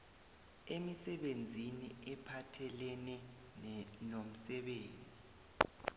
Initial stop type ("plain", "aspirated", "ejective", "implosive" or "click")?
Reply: implosive